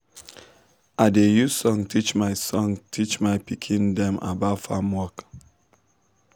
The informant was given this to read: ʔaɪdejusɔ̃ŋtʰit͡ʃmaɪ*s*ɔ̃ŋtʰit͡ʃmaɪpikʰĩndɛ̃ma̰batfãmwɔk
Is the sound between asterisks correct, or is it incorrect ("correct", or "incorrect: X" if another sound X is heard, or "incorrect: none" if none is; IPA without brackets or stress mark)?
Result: correct